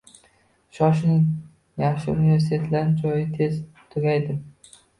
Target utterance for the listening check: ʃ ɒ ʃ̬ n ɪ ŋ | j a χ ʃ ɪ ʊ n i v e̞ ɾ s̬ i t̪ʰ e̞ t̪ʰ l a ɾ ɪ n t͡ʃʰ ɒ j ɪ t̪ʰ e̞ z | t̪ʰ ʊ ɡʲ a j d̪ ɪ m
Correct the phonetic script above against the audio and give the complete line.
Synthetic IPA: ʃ ɒ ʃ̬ n ɪ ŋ | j a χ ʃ ɪ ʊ n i v e̞ ɾ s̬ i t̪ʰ e̞ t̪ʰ l a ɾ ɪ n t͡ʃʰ ɒ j ɪ t̪ʰ e̞ z | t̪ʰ ʊ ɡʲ a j d̪ ɪ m